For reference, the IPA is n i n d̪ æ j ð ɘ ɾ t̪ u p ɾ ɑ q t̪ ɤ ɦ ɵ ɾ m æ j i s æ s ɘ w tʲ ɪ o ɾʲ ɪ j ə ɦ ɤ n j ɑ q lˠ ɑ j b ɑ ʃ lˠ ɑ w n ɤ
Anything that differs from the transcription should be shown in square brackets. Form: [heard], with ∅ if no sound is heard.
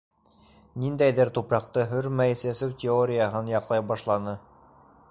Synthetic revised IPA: n i n d̪ æ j ð ɘ ɾ t̪ u p ɾ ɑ q t̪ ɤ ɦ ɵ ɾ m æ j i s æ s ɘ w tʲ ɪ o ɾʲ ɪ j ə ɦ ɤ n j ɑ q lˠ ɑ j b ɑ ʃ lˠ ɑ [∅] n ɤ